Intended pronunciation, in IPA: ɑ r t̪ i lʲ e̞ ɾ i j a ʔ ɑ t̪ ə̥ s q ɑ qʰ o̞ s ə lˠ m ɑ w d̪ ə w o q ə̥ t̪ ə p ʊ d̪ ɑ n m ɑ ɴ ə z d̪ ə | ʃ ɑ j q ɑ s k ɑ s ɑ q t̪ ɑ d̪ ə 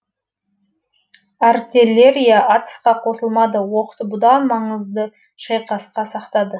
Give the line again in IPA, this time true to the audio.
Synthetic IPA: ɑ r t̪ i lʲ e̞ ɾ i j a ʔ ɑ t̪ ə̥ s q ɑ qʰ o̞ s ə lˠ m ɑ d̪ ə w o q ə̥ t̪ ə b ʊ d̪ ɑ n m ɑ ɴ ə z d̪ ə | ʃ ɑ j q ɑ s q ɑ s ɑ q t̪ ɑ d̪ ə

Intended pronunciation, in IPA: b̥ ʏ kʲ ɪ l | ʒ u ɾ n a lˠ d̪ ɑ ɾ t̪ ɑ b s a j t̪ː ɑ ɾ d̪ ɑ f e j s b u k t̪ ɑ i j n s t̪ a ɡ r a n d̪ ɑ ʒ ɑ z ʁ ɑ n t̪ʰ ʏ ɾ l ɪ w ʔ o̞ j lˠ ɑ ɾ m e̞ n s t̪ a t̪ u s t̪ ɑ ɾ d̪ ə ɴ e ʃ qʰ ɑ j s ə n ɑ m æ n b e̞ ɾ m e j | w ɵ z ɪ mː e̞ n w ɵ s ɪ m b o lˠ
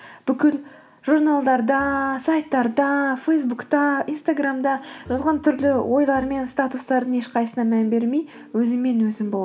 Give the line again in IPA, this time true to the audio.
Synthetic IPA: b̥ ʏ kʲ ɪ l | ʒ u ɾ n a lˠ d̪ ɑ ɾ d̪ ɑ s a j t̪ː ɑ ɾ d̪ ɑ f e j s b u k t̪ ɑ i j n s t̪ a ɡ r a m d̪ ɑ ʒ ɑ z ʁ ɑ n t̪ʰ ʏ ɾ l ɪ w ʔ o̞ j lˠ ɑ ɾ m e̞ n s t̪ a t̪ u s t̪ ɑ ɾ d̪ ə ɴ e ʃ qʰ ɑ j s ə n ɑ m æ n b e̞ ɾ m e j | w ɵ z ɪ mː e̞ n w ɵ z ɪ m b o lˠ

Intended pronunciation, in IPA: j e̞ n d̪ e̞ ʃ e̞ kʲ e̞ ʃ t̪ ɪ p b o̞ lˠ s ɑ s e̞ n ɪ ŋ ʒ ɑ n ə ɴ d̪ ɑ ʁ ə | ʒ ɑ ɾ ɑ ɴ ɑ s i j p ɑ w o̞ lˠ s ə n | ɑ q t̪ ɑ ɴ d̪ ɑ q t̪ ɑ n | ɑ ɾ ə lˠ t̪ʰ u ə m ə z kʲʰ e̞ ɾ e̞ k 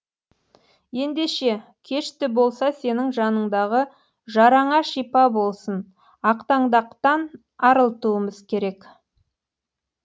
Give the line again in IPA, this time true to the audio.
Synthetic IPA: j e̞ n d̪ e̞ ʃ e̞ kʲʰ e̞ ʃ t̪ ɪ b o̞ lˠ s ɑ s e̞ n ɪ ŋ ʒ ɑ n ə ɴ d̪ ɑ ʁ ə | ʒ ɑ ɾ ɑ ɴ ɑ ʃ i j p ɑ b o̞ lˠ s ə n | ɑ q t̪ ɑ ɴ d̪ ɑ q t̪ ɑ n | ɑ ɾ ə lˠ t̪ u ə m ə z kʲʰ e̞ ɾ e̞ k

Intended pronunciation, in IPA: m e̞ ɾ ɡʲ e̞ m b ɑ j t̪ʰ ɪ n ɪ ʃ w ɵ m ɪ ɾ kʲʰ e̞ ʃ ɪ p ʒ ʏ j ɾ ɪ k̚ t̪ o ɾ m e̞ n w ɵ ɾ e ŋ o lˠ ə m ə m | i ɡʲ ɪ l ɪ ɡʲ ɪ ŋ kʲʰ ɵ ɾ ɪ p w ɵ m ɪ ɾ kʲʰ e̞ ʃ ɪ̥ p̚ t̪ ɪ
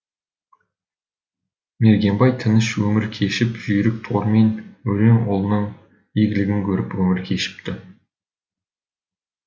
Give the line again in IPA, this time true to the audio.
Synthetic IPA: m e̞ ɾ ɡʲ e̞ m b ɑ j t̪ʰ ɪ n ɪ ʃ w ɵ m ɪ ɾ kʲʰ e̞ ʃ ɪ p ʒ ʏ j ɾ ɪ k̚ t̪ʰ o ɾ m e̞ n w ɵ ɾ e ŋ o lˠ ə n ə ɴ | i ɡʲ ɪ l ɪ ɡʲ ɪ ŋ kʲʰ ɵ ɾ ɪ p w ɵ m ɪ ɾ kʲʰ e̞ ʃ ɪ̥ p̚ t̪ ɪ

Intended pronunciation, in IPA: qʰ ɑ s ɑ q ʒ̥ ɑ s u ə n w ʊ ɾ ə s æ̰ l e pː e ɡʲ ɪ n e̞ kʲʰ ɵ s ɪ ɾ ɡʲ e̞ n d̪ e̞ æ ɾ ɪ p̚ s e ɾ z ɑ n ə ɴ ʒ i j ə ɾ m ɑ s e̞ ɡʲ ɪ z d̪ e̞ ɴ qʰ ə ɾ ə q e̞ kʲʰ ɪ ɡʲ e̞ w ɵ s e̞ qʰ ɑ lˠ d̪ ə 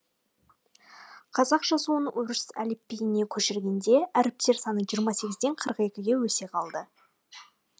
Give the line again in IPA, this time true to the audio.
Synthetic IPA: qʰ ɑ z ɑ q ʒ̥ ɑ s u ə n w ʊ ɾ ə s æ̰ l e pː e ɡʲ ɪ n e̞ kʲʰ ɵ ʃ ɪ ɾ ɡʲ e̞ n d̪ e̞ æ ɾ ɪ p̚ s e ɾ s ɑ n ə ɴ ʒ i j ə ɾ m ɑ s e̞ ɡʲ ɪ z d̪ e̞ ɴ qʰ ə ɾ ə q e̞ kʲ ɪ ɡʲ e̞ w ɵ s e̞ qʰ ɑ lˠ d̪ ə

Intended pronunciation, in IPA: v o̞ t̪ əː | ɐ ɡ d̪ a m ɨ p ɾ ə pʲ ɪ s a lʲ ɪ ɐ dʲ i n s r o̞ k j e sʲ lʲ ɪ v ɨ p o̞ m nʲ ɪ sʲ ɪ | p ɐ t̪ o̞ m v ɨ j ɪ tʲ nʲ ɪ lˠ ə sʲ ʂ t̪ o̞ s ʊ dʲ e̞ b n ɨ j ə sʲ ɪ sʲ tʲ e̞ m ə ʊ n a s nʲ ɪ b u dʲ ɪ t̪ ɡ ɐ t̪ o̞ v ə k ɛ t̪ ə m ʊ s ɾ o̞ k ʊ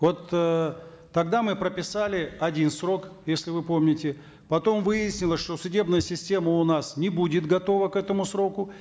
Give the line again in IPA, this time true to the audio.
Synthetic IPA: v o̞ t̪ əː | ɐ ɡ d̪ a m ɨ p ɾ ə pʲ ɪ s a lʲ ɪ ɐ dʲ i n s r o̞ k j e sʲ lʲ ɪ v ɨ p o̞ m nʲ ɪ tʲ ɪ | p ɐ t̪ o̞ m v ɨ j ɪ sʲ nʲ ɪ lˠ ə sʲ ʂ t̪ o̞ s ʊ dʲ e̞ b n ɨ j ə sʲ ɪ sʲ tʲ e̞ m ə ʊ n a s nʲ ɪ b u dʲ ɪ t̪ ɡ ɐ t̪ o̞ v ə k ɛ t̪ ə m ʊ s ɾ o̞ k ʊ

